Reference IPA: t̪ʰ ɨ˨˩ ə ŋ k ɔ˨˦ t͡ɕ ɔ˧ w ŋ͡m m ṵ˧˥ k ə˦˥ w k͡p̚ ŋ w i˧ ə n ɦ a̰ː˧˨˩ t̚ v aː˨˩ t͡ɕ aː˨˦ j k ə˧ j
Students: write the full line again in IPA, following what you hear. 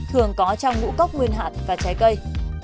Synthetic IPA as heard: t̪ʰ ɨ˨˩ ə ŋ k ɔ˨˦ t͡ɕ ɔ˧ w ŋ͡m ŋ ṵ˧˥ k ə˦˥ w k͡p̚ ŋ w i˧ ə n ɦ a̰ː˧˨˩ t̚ v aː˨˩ t͡ɕ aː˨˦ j k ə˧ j